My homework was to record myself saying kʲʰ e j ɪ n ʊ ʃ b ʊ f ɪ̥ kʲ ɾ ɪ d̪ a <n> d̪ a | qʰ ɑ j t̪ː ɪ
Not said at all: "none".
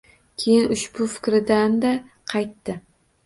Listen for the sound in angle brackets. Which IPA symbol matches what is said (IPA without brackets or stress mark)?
n